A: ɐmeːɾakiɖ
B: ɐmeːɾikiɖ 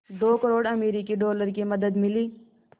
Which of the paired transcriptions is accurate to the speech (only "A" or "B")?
B